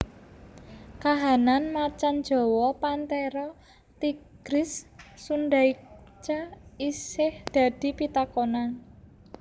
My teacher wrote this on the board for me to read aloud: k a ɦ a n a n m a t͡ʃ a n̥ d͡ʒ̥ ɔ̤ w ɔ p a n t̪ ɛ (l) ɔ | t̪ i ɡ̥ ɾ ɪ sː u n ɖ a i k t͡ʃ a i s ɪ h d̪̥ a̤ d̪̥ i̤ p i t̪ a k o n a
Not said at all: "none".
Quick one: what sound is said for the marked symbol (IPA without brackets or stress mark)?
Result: ɾ